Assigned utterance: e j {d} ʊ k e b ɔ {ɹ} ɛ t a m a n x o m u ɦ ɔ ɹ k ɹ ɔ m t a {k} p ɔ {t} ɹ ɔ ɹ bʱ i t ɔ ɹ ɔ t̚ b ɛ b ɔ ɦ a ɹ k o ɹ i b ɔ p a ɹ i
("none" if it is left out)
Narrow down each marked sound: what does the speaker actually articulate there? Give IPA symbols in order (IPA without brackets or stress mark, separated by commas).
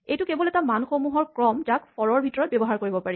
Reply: t, l, k, none